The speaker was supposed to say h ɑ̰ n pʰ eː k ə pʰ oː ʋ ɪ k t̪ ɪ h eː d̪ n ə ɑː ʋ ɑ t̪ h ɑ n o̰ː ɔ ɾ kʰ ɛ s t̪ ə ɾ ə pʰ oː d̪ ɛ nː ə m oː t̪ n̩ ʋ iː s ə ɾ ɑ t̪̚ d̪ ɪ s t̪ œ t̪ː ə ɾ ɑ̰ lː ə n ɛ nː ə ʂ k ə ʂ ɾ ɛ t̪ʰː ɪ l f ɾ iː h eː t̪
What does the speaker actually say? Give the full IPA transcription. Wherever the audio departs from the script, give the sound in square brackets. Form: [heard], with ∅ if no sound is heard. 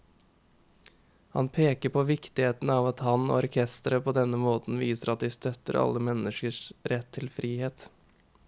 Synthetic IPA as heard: h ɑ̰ n pʰ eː k ə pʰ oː ʋ ɪ k t̪ ɪ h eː [t̪] n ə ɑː ʋ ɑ t̪ h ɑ n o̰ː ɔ ɾ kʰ ɛ s t̪ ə ɾ ə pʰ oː d̪ ɛ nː ə m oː t̪ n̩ ʋ iː s ə ɾ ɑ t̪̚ d̪ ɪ s t̪ œ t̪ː ə ɾ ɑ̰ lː ə [m] ɛ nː ə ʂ k ə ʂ ɾ ɛ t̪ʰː ɪ l f ɾ iː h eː t̪